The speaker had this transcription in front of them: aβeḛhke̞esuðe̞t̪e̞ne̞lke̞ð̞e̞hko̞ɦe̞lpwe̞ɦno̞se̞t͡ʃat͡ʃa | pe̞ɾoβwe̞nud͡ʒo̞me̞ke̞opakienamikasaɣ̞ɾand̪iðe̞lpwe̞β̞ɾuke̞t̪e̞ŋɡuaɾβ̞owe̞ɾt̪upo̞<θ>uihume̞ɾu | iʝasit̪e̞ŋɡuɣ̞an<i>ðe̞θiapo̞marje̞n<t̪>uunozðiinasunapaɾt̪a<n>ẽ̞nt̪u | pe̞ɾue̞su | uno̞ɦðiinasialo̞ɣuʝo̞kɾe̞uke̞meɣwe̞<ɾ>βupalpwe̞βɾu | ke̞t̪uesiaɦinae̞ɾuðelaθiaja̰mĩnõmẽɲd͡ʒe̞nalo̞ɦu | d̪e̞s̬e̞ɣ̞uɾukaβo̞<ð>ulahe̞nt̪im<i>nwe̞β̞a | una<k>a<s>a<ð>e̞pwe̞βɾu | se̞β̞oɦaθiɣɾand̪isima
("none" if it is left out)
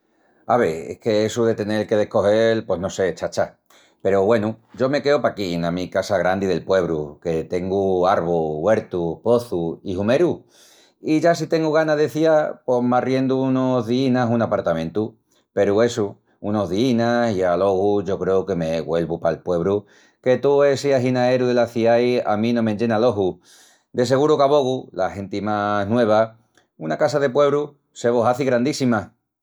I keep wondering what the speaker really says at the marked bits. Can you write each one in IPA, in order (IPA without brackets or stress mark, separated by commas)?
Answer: θ, a, d̪, m, l, ɣ, a, k, s, ð